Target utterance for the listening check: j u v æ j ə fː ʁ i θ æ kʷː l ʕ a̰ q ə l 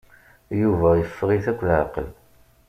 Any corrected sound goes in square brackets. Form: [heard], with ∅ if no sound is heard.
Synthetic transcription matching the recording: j u v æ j ə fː ʁ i θ æ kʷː l ʕ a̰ q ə l